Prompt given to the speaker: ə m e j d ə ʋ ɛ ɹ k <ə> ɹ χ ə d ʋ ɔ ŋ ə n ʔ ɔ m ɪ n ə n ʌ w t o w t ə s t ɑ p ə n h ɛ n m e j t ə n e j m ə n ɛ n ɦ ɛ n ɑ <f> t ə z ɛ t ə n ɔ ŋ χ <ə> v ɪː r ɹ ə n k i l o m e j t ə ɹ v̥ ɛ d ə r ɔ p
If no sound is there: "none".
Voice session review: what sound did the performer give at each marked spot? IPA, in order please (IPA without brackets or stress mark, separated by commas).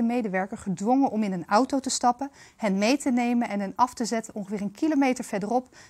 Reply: ə, f, ə